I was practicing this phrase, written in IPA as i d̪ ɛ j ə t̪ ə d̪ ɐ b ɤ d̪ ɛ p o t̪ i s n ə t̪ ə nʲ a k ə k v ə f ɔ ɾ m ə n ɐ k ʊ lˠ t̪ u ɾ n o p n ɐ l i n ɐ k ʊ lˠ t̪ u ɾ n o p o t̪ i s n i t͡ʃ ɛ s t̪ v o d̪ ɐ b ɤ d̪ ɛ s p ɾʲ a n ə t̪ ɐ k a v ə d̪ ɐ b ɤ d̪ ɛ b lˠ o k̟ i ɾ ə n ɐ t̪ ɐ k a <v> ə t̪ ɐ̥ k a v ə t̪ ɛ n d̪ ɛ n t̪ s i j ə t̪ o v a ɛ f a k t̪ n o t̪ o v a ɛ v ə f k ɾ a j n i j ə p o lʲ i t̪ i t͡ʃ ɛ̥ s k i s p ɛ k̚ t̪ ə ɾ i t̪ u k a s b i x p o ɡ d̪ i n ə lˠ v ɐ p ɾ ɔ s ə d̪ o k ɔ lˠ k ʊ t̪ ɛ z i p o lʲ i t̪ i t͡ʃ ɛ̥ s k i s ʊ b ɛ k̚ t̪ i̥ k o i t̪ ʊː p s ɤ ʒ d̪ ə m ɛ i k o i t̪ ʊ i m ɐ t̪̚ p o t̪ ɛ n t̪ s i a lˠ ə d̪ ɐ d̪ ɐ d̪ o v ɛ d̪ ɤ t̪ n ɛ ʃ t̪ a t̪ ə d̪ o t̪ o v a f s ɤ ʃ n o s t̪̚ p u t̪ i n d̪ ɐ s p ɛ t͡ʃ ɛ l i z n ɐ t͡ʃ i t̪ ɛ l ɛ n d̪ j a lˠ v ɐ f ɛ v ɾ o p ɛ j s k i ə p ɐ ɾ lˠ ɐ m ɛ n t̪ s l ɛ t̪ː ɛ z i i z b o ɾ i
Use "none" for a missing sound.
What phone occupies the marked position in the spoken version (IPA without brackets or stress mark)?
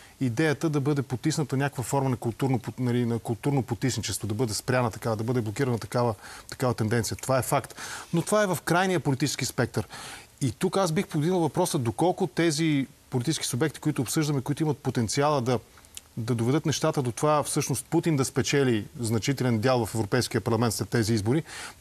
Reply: v